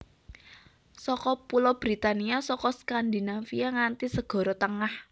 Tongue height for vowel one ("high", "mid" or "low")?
mid